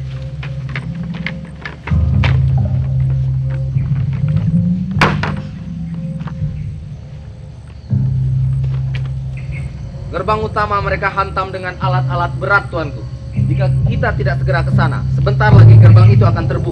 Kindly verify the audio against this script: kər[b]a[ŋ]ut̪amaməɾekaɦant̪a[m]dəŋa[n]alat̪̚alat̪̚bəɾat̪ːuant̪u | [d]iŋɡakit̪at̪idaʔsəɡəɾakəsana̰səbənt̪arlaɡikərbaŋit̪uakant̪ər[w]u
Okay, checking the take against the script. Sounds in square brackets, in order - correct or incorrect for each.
correct, correct, correct, correct, incorrect: d͡ʒ, incorrect: b

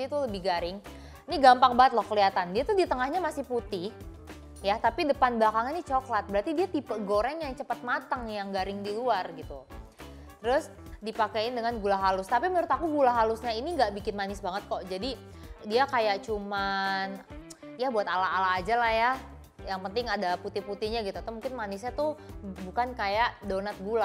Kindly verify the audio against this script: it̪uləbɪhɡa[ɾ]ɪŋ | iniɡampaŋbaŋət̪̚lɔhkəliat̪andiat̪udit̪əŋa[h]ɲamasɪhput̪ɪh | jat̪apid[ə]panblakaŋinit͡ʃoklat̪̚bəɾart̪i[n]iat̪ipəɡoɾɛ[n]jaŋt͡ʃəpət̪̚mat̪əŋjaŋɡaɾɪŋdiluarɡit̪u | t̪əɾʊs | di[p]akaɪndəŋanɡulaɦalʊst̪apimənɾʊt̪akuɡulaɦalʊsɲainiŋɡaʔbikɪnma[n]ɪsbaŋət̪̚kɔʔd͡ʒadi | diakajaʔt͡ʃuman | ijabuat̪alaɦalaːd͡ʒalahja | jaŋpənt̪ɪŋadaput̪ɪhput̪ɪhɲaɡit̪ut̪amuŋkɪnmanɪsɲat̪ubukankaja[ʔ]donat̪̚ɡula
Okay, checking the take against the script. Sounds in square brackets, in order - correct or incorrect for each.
correct, correct, correct, incorrect: d, incorrect: ŋ, correct, correct, correct

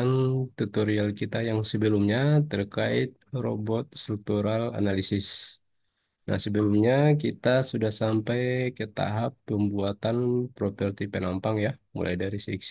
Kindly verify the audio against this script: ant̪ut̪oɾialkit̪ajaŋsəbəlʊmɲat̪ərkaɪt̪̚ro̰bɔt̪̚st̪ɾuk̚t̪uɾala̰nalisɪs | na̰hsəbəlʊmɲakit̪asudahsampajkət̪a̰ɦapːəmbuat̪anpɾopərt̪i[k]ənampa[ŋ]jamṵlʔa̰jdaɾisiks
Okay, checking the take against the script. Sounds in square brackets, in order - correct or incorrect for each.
incorrect: p, correct

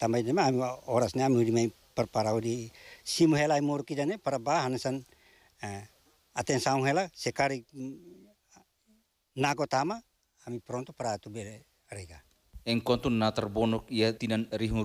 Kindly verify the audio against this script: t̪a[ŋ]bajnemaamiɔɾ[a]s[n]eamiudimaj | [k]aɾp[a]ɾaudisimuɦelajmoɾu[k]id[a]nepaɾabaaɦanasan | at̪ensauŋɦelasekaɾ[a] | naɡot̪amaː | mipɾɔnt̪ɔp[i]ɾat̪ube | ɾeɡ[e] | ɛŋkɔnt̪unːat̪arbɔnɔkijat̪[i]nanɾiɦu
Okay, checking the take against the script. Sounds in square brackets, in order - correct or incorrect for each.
incorrect: m, correct, correct, incorrect: p, correct, correct, correct, incorrect: i, incorrect: a, incorrect: a, correct

